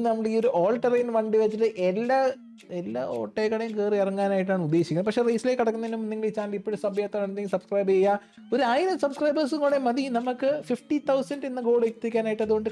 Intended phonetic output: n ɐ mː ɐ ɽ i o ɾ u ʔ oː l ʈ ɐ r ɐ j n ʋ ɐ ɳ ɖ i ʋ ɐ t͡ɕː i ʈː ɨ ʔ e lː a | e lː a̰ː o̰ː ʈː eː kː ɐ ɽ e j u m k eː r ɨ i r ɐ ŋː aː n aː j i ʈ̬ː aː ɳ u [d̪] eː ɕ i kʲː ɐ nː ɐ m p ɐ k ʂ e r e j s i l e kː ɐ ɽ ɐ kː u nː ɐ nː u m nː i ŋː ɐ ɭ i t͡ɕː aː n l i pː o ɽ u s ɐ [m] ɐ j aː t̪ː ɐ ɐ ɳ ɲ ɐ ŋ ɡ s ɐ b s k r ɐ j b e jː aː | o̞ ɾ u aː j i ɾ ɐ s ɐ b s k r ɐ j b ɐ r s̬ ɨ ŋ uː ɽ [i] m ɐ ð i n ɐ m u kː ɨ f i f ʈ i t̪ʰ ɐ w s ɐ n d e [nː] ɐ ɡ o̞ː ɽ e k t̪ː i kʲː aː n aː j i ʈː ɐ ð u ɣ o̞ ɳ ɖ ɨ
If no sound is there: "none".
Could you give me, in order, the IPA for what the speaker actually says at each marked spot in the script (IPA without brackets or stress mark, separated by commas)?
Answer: d̪ː, b, e, nː